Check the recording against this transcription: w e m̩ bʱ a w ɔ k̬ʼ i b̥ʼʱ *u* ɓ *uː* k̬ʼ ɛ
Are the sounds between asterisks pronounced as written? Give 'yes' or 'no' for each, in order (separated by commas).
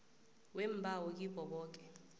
no, no